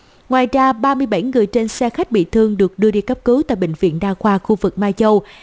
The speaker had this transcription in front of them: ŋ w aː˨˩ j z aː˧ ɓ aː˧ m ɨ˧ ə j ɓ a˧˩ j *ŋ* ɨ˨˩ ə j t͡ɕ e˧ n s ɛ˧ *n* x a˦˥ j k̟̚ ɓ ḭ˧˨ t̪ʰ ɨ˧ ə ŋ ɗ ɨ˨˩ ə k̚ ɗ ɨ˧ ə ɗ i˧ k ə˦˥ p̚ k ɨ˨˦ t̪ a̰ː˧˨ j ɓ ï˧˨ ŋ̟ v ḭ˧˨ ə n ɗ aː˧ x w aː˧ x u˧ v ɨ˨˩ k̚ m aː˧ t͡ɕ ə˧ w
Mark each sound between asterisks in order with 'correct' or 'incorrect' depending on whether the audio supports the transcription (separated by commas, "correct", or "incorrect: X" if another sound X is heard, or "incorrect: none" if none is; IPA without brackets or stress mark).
correct, incorrect: none